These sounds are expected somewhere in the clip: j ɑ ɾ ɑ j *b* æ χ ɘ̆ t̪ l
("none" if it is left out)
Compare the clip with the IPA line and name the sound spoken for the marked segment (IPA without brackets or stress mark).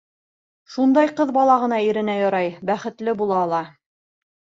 b